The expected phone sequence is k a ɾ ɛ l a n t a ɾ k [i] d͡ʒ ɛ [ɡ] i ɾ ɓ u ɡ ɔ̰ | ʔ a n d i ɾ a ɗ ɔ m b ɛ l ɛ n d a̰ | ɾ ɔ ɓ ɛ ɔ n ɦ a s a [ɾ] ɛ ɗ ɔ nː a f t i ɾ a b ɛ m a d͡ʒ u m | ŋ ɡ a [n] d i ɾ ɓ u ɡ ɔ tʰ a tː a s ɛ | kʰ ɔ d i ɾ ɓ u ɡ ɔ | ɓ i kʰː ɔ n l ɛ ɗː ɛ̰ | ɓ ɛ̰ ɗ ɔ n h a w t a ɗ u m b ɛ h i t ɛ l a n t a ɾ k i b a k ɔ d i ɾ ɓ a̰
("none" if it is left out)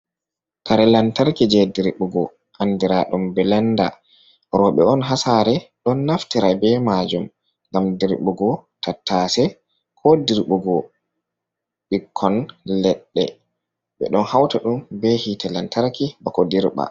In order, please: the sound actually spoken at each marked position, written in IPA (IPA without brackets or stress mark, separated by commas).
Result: i, d, ɾ, m